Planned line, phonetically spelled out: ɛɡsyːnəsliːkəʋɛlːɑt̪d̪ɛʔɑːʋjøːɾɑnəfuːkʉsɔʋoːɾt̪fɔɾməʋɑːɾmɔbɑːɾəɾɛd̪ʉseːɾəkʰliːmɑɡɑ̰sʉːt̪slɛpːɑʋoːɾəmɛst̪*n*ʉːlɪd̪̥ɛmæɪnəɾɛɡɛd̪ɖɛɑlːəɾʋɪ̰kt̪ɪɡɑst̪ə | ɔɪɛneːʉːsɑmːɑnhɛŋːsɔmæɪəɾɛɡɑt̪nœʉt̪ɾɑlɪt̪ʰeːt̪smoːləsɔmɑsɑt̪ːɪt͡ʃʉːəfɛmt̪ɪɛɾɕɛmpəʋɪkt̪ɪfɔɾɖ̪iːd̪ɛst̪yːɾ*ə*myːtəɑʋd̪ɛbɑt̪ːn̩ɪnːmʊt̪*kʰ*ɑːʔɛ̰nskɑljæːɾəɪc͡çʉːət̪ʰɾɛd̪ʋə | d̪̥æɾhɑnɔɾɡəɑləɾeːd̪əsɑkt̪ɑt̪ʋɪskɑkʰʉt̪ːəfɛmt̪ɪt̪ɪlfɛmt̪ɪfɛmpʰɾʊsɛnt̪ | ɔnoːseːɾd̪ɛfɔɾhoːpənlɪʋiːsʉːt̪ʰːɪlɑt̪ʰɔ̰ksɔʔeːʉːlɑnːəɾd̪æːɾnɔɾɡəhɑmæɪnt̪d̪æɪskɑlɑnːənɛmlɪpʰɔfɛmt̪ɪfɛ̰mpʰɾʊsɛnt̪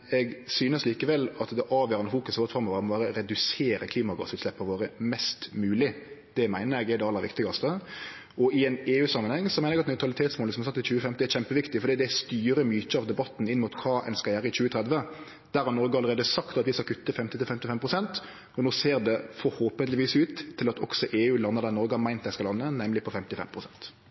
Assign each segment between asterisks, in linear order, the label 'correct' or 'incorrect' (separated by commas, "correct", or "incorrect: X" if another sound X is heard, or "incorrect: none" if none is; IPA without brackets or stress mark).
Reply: incorrect: m, correct, correct